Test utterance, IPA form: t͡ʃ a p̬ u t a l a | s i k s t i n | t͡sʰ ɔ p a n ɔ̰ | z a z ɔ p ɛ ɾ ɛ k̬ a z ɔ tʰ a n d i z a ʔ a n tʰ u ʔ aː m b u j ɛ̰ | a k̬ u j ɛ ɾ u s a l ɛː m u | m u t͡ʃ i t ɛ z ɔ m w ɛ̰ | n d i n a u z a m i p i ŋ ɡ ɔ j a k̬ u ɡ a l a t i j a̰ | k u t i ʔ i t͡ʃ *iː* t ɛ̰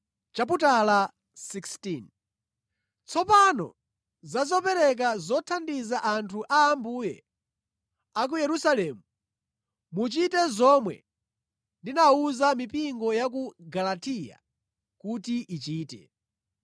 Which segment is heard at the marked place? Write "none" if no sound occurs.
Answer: iː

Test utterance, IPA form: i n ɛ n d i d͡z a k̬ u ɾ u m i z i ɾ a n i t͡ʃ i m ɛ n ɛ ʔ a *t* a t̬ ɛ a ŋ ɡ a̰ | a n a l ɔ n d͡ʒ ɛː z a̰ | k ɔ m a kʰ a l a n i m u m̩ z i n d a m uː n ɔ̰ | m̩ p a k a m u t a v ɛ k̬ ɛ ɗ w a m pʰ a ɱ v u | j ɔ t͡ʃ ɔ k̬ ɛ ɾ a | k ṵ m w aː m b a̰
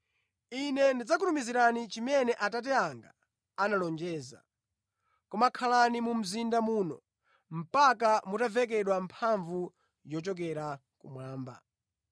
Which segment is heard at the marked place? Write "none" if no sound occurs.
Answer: t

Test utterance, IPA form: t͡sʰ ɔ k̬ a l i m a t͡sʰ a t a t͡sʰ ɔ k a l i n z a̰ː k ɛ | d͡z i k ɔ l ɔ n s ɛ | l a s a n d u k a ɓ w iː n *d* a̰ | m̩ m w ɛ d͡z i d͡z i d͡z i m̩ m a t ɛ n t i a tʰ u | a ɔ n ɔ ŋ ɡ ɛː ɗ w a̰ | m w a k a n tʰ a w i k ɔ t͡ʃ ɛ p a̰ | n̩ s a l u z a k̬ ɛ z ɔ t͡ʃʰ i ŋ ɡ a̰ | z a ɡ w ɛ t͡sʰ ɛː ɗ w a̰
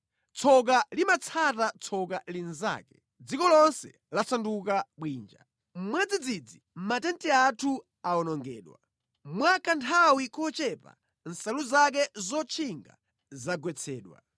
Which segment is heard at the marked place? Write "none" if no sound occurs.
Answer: d͡ʒ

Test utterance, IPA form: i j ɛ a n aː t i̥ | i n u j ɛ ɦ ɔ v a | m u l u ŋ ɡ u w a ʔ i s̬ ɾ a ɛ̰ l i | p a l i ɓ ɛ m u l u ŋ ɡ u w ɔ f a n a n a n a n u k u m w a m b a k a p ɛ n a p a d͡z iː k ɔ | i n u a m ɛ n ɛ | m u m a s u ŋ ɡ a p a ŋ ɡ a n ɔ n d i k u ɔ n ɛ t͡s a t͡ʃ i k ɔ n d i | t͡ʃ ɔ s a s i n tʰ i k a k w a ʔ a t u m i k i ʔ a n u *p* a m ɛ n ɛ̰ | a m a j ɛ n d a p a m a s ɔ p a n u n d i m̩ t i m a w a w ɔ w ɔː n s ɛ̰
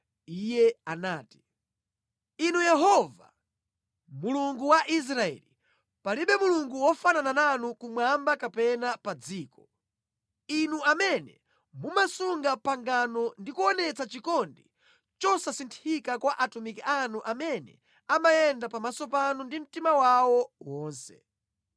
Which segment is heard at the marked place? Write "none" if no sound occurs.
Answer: ʔ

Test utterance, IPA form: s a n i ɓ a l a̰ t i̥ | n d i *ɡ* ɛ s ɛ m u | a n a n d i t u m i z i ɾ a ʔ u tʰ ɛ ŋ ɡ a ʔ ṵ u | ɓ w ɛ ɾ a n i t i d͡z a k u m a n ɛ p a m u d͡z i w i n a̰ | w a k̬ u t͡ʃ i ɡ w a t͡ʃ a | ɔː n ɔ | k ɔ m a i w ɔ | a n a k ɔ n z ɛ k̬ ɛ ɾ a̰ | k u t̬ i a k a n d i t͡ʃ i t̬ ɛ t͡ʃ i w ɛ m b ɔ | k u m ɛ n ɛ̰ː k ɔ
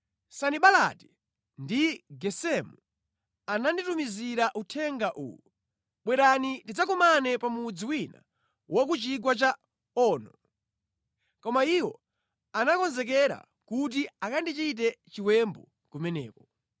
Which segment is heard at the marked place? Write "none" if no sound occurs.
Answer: ɡ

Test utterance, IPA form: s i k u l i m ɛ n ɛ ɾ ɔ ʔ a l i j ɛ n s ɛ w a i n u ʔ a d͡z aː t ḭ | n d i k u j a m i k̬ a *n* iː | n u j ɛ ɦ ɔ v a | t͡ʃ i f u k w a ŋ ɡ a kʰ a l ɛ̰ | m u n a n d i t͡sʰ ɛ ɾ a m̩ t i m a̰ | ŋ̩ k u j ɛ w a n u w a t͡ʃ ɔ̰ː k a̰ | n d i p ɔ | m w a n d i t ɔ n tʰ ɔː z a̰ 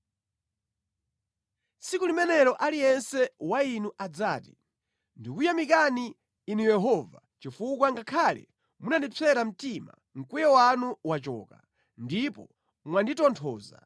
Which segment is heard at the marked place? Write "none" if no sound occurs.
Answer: n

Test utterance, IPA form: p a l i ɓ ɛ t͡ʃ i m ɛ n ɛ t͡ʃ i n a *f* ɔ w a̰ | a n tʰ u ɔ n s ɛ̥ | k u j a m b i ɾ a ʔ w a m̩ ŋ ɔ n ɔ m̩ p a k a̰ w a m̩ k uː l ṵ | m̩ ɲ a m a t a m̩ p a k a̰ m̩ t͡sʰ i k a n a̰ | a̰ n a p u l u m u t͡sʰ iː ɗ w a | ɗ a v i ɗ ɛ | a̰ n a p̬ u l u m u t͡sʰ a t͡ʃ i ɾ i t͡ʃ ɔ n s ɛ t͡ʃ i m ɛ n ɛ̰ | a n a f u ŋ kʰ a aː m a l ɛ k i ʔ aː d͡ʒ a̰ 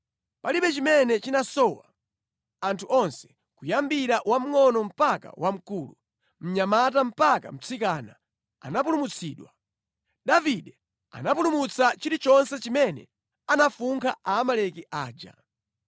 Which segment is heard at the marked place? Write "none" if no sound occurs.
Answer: s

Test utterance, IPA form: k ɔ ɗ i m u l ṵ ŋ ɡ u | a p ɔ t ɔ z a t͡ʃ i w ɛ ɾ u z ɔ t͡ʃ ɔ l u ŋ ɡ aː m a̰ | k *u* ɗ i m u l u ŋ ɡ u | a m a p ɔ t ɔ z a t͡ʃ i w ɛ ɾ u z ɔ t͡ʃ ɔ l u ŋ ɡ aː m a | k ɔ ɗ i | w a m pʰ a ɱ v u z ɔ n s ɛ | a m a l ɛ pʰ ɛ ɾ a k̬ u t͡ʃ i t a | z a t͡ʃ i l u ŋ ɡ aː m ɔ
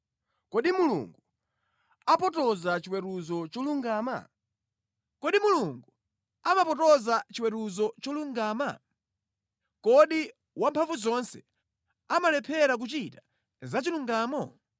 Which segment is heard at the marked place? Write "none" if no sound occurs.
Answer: ɔ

